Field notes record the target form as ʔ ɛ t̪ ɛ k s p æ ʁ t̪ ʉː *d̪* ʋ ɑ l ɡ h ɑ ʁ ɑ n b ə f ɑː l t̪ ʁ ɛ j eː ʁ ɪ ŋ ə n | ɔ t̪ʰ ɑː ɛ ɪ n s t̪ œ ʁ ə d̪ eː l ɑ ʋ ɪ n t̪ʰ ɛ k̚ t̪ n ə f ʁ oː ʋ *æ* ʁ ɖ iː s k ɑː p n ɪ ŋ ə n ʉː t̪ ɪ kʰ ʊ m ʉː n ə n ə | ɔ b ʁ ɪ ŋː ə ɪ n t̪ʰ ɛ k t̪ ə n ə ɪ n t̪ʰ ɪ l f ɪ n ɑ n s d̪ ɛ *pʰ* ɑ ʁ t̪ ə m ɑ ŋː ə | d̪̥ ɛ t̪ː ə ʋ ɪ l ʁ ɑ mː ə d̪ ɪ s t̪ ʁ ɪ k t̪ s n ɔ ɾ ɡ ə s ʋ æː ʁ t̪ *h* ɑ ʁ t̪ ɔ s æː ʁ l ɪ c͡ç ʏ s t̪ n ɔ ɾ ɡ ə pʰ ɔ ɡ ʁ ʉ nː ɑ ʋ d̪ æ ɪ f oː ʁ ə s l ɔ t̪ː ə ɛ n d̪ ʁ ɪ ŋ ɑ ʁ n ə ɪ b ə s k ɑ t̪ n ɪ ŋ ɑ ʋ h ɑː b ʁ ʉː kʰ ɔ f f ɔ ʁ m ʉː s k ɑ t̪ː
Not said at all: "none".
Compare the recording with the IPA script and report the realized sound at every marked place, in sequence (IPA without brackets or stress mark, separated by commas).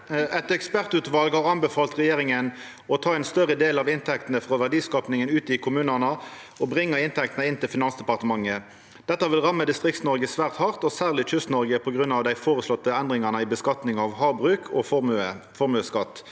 t̪, æ, p, h